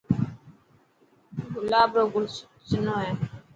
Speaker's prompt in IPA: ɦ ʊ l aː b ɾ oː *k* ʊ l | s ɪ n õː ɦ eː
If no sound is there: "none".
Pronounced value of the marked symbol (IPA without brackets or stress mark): ɡ